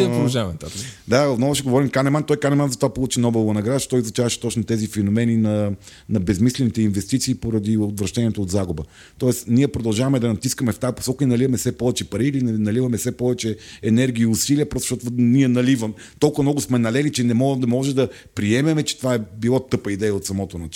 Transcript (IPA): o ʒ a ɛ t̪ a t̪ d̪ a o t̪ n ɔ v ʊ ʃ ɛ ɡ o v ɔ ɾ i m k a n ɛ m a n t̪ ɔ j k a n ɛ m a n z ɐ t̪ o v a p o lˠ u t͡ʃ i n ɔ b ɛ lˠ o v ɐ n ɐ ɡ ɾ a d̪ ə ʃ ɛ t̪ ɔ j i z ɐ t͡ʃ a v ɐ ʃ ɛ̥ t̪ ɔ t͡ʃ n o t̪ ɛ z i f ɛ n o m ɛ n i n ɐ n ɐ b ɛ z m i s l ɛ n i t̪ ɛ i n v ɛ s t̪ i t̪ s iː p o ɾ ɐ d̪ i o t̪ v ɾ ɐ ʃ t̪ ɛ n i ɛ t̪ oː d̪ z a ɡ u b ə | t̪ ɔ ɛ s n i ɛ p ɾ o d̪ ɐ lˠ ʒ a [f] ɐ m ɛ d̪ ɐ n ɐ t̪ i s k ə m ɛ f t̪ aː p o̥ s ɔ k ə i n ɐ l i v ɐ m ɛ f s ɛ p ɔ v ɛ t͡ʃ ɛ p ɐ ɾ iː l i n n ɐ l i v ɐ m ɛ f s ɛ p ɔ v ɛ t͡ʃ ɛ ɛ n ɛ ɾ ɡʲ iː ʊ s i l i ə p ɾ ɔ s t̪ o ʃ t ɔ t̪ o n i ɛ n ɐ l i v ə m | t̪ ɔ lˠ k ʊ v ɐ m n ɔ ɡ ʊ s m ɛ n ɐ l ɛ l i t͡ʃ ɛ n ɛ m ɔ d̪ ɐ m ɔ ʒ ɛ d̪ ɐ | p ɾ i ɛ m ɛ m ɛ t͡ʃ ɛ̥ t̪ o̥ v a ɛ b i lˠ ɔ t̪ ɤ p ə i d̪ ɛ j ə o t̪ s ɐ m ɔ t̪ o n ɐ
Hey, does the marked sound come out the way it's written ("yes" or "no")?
no